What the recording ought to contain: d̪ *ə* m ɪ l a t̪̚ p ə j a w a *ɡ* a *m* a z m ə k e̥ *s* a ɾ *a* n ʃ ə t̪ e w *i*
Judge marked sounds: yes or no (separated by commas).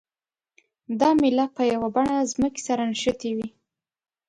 no, no, no, yes, yes, yes